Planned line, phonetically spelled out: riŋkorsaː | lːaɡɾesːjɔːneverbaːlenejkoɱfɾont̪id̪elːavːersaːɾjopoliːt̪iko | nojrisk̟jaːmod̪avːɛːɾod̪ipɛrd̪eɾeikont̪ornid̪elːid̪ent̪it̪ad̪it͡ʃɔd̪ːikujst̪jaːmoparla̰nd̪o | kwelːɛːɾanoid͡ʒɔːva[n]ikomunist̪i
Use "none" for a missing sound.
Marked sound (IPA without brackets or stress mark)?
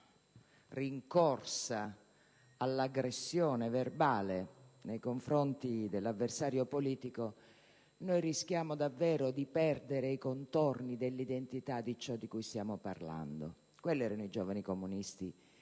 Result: n